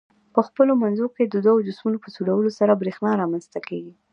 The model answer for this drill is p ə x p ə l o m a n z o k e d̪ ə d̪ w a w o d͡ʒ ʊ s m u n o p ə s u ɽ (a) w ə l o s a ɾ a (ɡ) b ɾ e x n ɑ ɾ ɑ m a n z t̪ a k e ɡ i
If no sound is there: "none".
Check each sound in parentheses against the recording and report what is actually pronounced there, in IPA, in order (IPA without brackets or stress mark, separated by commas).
a, none